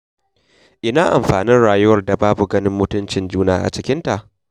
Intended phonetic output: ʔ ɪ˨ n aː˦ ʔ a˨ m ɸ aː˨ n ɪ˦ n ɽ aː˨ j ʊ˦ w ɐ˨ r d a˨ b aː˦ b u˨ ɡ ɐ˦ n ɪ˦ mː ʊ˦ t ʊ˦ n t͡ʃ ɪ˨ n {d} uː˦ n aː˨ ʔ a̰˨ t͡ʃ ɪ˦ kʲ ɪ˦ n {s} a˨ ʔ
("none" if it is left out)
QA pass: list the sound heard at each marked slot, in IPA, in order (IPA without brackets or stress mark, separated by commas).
d͡ʒ, t